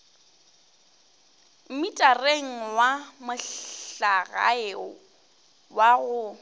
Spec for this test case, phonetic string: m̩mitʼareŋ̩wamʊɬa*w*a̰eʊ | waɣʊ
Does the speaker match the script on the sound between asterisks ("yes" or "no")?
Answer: no